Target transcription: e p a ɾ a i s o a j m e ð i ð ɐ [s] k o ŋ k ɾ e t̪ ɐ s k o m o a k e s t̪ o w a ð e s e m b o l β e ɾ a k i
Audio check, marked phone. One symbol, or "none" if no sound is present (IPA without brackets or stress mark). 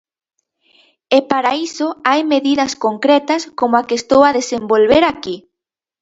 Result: s